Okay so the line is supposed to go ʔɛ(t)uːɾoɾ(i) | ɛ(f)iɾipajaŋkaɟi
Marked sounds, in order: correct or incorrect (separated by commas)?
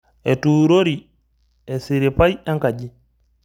correct, correct, incorrect